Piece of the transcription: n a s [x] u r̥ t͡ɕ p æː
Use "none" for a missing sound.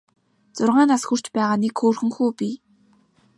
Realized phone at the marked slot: x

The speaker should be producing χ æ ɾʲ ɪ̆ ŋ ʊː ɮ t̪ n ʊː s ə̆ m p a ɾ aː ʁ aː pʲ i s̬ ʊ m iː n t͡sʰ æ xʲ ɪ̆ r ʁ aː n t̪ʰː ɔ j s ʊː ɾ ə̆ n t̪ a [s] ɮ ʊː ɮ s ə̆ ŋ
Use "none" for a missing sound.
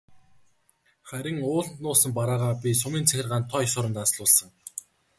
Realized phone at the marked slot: s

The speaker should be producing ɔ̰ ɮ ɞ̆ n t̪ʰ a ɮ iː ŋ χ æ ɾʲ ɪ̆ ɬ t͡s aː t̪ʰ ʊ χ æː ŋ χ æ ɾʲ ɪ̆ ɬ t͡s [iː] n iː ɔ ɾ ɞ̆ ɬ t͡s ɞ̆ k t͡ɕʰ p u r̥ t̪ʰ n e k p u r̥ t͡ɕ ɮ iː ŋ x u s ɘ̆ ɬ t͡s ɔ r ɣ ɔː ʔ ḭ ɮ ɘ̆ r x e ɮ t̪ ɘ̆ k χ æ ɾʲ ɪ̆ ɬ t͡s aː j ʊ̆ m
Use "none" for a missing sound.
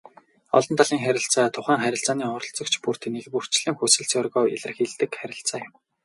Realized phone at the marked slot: aː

